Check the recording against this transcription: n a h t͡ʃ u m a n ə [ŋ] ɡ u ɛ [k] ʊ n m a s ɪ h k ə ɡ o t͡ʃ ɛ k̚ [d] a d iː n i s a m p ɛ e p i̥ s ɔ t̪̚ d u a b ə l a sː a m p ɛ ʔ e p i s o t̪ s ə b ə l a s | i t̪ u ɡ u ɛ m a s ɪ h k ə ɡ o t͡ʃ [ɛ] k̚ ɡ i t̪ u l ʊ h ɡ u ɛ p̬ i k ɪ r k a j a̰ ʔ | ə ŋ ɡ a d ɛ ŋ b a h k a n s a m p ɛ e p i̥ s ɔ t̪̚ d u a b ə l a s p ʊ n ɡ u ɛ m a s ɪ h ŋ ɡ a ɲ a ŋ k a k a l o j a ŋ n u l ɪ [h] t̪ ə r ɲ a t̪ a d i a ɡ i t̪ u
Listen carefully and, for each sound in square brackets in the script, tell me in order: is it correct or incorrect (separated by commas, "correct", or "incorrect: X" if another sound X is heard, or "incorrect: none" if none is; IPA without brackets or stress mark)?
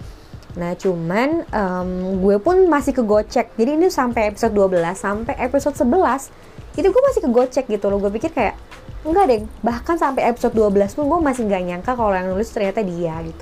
incorrect: m, incorrect: p, incorrect: d͡ʒ, correct, incorrect: s